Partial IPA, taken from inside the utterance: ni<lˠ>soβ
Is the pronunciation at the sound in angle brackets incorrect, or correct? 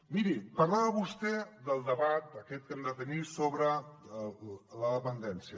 incorrect